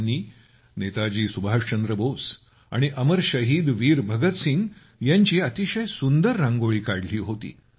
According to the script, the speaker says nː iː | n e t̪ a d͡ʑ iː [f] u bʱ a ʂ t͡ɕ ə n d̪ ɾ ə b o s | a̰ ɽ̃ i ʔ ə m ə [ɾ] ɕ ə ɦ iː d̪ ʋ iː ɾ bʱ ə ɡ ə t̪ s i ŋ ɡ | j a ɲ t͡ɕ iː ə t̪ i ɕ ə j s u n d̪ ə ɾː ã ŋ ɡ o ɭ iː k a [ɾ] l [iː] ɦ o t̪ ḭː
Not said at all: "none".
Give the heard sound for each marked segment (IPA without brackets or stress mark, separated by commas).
s, ɾ, ɽ, iː